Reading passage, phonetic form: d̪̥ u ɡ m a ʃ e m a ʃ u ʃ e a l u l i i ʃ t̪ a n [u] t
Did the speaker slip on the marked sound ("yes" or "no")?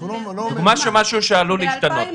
yes